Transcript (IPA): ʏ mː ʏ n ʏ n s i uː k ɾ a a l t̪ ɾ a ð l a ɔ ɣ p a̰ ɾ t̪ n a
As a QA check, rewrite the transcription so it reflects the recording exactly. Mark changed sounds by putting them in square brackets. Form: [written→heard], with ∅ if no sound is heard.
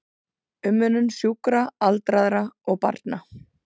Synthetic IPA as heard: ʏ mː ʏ n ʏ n s [i→j] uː k ɾ a a l t̪ ɾ a ð [l→ɾ] a ɔ ɣ p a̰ ɾ t̪ n a